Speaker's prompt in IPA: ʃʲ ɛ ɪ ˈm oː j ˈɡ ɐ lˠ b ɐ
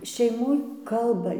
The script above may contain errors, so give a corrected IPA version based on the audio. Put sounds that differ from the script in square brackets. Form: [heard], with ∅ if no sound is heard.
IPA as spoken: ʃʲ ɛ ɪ ˈm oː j [ˈk] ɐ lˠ b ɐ